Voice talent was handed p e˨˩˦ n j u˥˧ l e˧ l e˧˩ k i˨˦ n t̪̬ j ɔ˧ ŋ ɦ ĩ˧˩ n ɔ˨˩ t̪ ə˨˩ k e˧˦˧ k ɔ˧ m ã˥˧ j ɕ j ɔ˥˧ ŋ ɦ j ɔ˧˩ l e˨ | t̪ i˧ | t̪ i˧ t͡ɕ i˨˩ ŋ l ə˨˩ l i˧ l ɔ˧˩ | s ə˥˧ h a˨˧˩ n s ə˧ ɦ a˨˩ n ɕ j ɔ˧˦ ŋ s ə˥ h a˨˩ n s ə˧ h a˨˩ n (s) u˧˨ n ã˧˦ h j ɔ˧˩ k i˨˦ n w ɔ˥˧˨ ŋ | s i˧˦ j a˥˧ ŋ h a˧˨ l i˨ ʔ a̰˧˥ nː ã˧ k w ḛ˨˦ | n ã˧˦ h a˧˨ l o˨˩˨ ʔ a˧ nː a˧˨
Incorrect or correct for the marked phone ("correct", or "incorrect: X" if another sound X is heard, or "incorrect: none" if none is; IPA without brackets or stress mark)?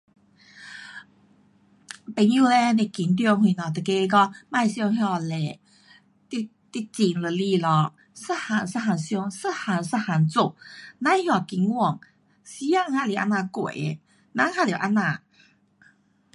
incorrect: t͡s